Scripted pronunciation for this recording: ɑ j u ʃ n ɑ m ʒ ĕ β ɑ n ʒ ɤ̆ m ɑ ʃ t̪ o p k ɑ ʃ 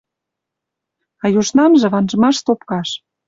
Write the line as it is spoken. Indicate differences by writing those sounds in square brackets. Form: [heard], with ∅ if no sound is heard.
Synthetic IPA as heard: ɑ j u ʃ n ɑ m ʒ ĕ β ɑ n ʒ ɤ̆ m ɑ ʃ t̪ o p k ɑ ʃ